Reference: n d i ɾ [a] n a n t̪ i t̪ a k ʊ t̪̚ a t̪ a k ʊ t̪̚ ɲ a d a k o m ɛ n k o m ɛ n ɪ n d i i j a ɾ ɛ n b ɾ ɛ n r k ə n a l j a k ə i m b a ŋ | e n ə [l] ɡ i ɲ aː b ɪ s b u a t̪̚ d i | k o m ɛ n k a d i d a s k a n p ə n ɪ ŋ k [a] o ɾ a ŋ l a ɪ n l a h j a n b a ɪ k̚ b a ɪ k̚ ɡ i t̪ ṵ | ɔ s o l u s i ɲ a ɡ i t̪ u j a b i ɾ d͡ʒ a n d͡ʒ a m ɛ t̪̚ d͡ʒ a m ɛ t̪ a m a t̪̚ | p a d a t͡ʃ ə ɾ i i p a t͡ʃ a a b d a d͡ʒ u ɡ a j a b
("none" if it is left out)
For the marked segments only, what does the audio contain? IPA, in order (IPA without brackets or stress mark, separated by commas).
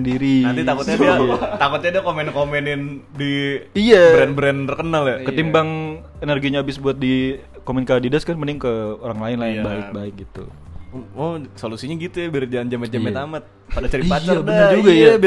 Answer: i, r, ə